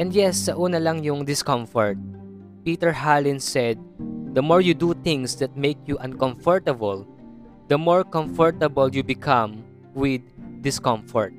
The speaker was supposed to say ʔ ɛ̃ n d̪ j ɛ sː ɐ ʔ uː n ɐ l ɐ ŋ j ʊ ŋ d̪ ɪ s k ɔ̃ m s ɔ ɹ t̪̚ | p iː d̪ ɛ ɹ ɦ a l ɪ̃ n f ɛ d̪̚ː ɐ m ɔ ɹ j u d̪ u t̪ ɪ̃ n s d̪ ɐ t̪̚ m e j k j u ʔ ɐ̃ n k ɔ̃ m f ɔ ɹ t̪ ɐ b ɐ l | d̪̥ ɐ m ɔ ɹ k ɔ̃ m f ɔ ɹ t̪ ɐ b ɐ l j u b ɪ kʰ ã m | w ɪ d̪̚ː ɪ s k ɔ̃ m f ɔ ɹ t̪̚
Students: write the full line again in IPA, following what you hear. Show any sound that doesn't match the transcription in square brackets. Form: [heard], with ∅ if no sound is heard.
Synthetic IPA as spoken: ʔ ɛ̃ n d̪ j ɛ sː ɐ ʔ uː n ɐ l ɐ ŋ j ʊ ŋ d̪ ɪ s k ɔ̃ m [f] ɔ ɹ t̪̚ | p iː [t̪] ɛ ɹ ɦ a l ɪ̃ n [s] ɛ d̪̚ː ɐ m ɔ ɹ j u d̪ u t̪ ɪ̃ [ŋ] s d̪ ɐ t̪̚ m e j k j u ʔ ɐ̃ n k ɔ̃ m f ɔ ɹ t̪ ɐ b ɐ l | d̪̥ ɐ m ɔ ɹ k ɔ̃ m f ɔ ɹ t̪ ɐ b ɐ l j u b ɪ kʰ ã m | w ɪ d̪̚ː ɪ s k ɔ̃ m f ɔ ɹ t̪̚